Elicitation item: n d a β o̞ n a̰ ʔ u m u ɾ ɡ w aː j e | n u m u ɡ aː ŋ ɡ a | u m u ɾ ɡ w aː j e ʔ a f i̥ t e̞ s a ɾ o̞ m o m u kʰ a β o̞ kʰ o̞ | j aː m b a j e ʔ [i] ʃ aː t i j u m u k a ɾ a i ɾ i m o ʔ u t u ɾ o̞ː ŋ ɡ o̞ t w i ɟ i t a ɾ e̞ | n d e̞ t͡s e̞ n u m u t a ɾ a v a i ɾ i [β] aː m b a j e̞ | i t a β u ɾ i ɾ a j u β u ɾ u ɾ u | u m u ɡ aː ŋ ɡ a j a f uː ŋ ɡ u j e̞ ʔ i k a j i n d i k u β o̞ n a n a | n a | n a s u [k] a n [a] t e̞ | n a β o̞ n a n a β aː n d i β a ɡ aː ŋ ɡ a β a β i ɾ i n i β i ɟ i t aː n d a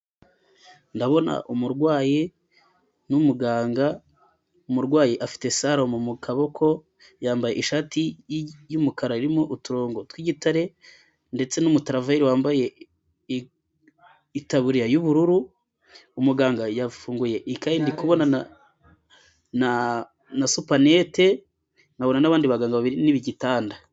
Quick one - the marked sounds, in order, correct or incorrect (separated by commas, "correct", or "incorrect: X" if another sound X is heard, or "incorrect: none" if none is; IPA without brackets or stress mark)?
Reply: correct, incorrect: w, incorrect: p, incorrect: e